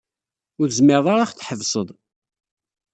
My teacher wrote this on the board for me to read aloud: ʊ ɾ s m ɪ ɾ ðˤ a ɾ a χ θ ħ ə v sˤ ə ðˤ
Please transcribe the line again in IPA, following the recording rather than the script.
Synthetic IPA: ʊ ɾ z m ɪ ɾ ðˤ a ɾ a χ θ ħ ə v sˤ ə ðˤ